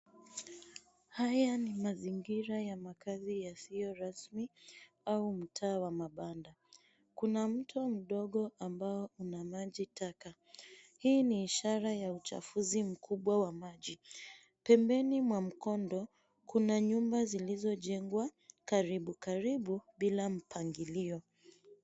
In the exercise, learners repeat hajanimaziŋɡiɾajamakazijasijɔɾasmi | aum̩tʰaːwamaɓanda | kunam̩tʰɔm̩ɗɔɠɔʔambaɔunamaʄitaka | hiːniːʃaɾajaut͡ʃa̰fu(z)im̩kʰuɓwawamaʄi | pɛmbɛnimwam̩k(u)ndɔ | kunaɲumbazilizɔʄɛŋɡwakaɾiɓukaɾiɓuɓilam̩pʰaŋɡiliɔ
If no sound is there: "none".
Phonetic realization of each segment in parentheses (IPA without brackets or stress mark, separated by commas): z, ɔ